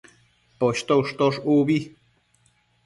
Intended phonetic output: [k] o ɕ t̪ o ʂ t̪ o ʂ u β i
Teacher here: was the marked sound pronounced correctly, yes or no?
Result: no